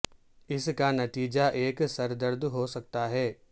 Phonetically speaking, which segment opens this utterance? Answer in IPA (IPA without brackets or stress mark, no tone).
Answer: ɪ